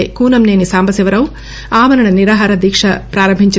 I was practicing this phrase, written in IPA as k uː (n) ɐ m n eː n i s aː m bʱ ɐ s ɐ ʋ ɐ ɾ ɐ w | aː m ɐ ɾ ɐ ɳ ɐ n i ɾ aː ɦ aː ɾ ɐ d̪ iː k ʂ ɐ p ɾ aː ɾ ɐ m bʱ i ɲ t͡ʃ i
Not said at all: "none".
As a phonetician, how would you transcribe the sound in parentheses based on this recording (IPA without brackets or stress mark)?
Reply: n